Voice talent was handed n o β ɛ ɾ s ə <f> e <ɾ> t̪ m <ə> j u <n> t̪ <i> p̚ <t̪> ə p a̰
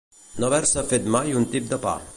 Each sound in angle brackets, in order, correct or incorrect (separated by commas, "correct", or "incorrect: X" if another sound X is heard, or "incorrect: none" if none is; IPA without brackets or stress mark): correct, incorrect: none, incorrect: a, correct, correct, incorrect: d̪